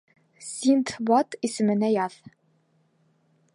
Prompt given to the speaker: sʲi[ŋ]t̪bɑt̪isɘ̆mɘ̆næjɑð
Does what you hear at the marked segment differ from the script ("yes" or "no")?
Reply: yes